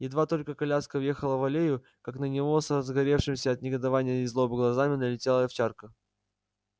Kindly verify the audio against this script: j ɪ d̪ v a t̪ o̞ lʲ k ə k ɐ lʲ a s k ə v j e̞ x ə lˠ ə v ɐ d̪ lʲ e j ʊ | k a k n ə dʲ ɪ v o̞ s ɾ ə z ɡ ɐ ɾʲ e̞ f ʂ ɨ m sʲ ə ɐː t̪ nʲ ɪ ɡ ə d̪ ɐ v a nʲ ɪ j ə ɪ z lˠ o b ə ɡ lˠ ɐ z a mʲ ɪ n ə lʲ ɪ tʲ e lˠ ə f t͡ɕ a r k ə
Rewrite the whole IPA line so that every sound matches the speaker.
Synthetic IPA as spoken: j ɪ d̪ v a t̪ o̞ lʲ k ə k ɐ lʲ a s k ə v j e̞ x ə lˠ ə v ɐ lʲ e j ʊ | k a k n ə nʲ ɪ v o̞ s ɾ ə z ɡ ɐ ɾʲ e̞ f ʂ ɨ m sʲ ə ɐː t̪ nʲ ɪ ɡ ə d̪ ɐ v a nʲ ɪ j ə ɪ z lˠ o b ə ɡ lˠ ɐ z a mʲ ɪ n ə lʲ ɪ tʲ e lˠ ə f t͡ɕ a r k ə